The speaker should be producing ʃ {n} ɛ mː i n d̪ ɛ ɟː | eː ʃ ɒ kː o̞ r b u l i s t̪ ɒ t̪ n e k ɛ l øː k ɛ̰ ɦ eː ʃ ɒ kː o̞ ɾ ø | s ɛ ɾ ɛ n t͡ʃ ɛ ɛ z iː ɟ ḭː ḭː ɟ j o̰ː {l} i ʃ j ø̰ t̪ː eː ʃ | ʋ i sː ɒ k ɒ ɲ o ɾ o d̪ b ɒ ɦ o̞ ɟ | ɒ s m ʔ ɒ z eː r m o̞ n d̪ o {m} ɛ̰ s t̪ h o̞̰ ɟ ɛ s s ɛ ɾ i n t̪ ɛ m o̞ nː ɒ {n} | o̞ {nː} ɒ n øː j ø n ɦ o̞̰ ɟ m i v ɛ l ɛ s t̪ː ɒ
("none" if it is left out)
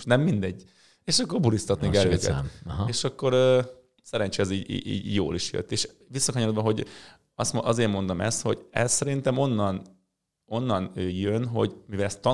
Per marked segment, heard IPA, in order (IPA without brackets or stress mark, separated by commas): n, l, m, n, nː